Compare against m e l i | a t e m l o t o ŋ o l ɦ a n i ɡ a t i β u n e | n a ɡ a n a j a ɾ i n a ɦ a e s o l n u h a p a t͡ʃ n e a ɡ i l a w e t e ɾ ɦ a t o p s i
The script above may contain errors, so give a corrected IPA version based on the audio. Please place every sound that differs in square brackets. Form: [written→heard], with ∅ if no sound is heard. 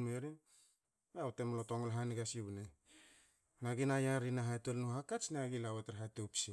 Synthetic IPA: m e [l→ɾ] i | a t e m l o t o ŋ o l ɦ a n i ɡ a [t→s] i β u n e | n a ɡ [a→i] n a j a ɾ i n a ɦ a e [s→t] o l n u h a [p→k] a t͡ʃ n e a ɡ i l a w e t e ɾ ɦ a t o p s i